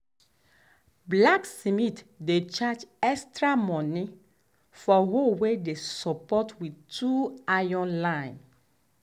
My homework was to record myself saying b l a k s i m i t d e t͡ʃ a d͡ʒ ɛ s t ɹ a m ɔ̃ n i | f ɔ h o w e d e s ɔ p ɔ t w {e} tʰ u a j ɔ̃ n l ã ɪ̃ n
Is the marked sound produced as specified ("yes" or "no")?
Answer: no